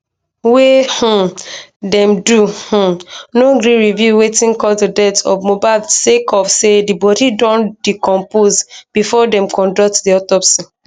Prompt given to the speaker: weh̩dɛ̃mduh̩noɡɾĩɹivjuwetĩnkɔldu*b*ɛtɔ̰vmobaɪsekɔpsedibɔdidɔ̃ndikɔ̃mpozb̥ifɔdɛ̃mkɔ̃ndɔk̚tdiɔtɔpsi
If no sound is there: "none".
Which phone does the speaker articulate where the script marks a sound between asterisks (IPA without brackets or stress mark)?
d